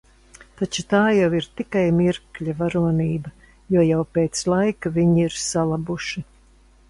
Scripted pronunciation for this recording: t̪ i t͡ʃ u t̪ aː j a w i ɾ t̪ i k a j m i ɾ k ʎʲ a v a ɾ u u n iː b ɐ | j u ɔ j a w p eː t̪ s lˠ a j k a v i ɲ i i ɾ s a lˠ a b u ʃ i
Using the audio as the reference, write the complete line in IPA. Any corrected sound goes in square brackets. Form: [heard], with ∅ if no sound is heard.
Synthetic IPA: t̪ [a] t͡ʃ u t̪ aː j a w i ɾ t̪ i k a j m i ɾ k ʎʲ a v a ɾ u [ɔ] n iː b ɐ | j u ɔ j a w p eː t̪ s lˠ a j k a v i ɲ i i ɾ s a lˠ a b u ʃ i